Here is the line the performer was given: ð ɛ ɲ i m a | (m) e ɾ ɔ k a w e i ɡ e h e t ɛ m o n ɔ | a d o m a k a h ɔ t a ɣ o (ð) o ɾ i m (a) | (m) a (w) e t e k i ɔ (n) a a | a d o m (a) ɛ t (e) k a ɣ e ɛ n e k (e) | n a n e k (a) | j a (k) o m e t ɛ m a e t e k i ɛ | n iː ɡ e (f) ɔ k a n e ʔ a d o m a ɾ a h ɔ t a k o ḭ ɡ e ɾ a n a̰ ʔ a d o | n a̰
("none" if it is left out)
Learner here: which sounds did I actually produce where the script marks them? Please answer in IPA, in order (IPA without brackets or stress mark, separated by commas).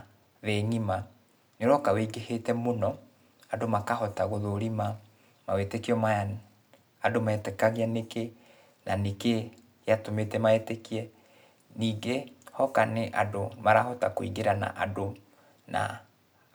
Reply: n, ð, a, m, w, m, a, ɛ, e, e, t, h